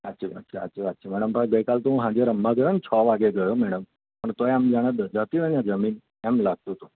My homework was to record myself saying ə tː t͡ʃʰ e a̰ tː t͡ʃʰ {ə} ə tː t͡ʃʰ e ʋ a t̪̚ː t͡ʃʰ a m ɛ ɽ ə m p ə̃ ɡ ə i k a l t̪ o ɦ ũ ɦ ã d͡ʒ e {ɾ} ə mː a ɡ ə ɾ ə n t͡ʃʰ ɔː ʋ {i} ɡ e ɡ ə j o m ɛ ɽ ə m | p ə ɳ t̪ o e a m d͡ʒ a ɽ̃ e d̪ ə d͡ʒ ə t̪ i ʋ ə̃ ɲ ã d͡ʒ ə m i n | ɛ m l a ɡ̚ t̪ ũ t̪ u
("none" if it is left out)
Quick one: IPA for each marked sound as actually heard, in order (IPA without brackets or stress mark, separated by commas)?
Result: a, ɾ, a